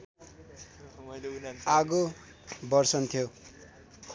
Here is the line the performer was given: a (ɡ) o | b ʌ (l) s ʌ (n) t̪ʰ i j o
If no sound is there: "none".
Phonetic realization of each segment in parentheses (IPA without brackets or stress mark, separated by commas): ɡ, r, n